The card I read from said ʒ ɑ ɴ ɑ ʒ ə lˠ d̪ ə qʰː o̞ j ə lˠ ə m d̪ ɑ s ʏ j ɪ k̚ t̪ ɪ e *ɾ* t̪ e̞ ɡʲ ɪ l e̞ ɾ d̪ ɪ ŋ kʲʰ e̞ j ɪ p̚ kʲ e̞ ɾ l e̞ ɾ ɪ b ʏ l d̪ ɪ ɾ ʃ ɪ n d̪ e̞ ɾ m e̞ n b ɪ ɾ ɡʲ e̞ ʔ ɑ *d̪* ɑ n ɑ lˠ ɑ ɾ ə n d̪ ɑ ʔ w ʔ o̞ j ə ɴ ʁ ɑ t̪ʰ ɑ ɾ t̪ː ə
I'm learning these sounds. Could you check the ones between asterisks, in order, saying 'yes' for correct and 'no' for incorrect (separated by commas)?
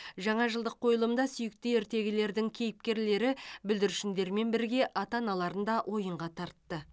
yes, no